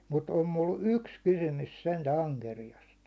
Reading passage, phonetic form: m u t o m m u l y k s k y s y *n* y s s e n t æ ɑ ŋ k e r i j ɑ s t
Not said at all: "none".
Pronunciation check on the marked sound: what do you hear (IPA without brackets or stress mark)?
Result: m